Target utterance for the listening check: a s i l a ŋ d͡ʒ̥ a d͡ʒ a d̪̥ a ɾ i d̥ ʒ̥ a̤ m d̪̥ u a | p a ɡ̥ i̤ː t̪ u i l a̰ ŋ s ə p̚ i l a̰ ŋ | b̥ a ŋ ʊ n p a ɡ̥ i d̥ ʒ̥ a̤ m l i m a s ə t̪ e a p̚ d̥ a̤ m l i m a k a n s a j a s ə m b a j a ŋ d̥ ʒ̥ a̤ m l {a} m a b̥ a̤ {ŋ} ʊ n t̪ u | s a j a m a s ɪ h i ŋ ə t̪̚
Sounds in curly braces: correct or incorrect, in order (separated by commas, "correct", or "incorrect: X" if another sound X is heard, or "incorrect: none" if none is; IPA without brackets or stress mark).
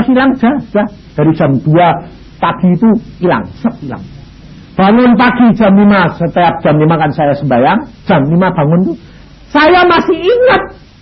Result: incorrect: i, correct